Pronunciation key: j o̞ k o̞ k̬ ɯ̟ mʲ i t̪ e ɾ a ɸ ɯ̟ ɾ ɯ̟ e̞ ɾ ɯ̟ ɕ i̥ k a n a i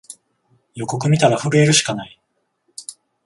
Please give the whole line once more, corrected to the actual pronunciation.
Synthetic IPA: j o̞ k o̞ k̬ ɯ̟ mʲ i t̪ a ɾ a ɸ ɯ̟ ɾ ɯ̟ e̞ ɾ ɯ̟ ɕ i̥ k a n a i